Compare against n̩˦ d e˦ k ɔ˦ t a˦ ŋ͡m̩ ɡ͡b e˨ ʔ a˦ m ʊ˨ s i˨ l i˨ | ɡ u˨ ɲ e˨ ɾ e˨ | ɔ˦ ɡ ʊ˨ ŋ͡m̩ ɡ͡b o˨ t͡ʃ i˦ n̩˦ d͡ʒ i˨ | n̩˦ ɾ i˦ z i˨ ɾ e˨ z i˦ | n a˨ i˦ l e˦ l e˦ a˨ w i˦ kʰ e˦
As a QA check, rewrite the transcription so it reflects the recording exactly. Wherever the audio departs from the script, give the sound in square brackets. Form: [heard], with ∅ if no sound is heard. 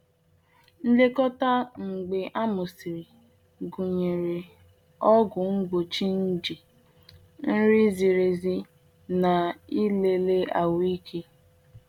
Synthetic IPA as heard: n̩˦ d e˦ k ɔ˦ t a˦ ŋ͡m̩ ɡ͡b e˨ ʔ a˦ m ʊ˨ s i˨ [ɾ] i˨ | ɡ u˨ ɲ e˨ ɾ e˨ | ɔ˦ ɡ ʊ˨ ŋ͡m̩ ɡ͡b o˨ t͡ʃ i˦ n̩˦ d͡ʒ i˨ | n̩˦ ɾ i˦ z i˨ ɾ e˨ z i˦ | n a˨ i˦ l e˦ l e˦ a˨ w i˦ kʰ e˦